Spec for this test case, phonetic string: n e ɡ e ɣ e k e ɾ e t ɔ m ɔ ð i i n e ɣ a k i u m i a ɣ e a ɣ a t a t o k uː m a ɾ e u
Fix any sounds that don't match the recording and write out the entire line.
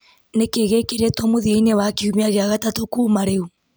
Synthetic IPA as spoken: n e k e ɣ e k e ɾ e t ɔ m o ð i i n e w a k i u m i a ɣ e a ɣ a t a t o k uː m a ɾ e u